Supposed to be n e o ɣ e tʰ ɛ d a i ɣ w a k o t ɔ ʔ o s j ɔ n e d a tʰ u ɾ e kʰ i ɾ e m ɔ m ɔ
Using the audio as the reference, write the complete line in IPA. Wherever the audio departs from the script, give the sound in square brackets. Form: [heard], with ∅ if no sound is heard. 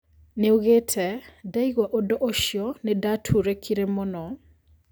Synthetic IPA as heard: n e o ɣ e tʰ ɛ d a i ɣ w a [ʔ] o [d] ɔ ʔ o [ʃ] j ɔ n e d a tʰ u ɾ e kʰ i ɾ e m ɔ [n] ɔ